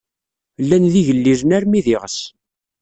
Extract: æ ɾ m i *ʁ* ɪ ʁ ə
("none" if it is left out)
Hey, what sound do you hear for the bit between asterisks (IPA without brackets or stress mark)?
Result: ð